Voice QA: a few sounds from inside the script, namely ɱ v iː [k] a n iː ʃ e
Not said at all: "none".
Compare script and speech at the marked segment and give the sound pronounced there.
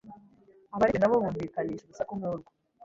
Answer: k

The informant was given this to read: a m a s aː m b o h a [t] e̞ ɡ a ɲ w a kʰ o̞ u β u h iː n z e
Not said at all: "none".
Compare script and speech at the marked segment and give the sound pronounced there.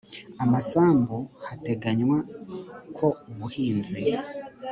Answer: t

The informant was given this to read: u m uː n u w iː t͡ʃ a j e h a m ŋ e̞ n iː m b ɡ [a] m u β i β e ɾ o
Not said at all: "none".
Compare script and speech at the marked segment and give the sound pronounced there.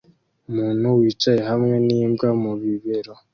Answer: a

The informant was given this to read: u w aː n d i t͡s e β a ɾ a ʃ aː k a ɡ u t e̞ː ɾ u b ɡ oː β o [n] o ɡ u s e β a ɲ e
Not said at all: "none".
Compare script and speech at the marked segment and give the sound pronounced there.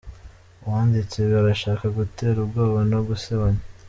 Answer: n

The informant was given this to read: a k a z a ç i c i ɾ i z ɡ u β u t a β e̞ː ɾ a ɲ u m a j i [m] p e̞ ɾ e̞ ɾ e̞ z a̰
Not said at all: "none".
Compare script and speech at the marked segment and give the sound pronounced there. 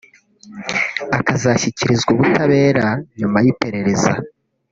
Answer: none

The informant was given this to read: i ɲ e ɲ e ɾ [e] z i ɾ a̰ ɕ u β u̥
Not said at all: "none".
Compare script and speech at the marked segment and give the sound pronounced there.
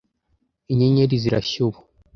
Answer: i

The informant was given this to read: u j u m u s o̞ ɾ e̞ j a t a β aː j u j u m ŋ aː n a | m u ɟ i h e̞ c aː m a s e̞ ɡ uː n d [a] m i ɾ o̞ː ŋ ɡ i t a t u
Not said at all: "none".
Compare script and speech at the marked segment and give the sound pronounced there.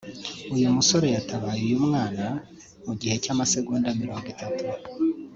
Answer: a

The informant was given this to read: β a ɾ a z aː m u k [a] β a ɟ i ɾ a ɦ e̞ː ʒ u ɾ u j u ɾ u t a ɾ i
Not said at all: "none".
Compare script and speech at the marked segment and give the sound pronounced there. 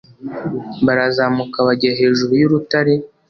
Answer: a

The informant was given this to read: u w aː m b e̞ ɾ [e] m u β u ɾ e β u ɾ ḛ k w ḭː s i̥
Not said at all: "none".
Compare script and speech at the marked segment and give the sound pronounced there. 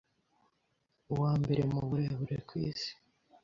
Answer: e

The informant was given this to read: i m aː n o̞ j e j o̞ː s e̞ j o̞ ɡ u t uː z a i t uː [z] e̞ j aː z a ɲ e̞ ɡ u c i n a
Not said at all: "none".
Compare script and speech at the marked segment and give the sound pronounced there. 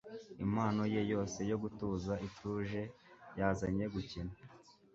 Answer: ʒ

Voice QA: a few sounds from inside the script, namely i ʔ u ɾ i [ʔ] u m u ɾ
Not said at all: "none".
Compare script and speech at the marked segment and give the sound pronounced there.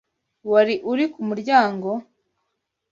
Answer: k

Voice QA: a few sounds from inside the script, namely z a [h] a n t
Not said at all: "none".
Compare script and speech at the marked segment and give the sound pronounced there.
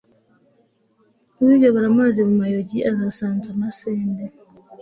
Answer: s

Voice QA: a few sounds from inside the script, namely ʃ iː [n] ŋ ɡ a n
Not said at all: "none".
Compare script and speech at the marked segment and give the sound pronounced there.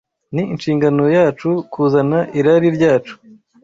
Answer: none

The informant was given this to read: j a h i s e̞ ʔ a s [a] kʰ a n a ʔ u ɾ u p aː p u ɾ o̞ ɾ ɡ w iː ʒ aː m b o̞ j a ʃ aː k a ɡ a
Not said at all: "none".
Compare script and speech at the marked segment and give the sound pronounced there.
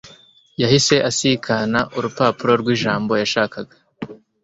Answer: i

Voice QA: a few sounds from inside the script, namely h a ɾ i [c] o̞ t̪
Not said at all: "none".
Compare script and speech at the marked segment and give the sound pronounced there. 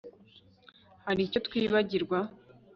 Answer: c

